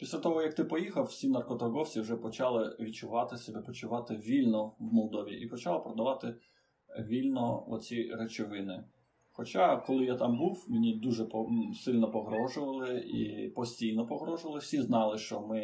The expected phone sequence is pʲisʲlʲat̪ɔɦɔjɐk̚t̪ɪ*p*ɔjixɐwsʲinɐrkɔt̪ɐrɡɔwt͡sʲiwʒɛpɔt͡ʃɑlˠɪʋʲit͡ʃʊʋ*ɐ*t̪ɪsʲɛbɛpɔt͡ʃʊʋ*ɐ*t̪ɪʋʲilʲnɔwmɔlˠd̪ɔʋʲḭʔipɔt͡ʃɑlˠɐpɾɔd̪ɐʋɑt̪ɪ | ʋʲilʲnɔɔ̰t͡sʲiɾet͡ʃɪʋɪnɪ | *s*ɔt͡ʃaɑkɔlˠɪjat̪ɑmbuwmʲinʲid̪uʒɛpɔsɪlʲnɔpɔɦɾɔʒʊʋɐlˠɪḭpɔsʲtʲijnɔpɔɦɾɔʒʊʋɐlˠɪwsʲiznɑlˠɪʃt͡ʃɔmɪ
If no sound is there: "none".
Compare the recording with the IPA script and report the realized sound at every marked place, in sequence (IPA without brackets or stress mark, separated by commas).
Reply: p, ɑ, ɑ, x